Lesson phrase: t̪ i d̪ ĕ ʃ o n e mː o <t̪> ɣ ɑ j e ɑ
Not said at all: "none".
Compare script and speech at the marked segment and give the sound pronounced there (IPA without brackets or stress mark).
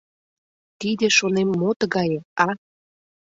t̪